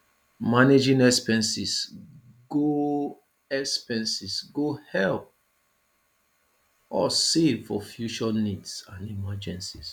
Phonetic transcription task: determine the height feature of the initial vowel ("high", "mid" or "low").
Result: low